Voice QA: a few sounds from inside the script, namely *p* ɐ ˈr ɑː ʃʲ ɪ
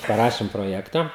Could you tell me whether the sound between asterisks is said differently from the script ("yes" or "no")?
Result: no